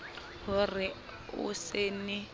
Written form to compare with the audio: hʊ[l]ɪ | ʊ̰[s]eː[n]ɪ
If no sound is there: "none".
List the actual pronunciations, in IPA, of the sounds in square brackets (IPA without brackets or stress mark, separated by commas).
r, s, n